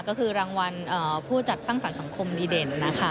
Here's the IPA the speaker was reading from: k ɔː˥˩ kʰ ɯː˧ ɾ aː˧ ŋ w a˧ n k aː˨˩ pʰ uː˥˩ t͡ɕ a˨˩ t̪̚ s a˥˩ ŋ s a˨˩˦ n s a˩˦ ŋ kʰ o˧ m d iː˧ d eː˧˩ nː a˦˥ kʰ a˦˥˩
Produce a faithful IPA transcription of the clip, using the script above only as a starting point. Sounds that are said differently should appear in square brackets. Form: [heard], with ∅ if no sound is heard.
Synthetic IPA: k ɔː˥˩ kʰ ɯː˧ ɾ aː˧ ŋ w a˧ n [ʔ] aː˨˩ pʰ uː˥˩ t͡ɕ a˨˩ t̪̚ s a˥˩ ŋ s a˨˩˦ n s a˩˦ ŋ kʰ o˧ m d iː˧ d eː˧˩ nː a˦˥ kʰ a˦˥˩